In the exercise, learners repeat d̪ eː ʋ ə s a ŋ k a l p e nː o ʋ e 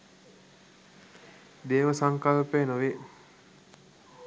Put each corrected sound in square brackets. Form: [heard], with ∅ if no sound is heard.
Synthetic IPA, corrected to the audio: d̪ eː ʋ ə s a ŋ k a l p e [n] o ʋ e